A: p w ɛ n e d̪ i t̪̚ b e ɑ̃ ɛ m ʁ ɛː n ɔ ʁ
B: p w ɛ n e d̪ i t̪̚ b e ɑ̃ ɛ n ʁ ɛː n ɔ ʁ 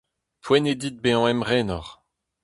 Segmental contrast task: A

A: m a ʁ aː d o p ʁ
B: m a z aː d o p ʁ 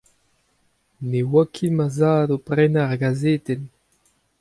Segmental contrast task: B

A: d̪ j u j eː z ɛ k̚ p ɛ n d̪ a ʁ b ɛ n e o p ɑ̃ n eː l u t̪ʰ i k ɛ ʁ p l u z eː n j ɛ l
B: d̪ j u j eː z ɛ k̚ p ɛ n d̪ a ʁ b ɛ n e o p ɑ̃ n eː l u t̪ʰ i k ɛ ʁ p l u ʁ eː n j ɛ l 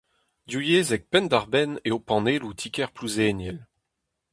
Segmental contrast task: A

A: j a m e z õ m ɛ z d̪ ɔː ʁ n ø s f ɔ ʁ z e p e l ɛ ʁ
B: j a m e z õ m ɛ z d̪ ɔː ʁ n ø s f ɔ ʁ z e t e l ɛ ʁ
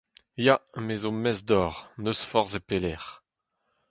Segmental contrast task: A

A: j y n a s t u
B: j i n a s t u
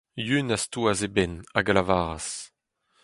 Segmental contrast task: A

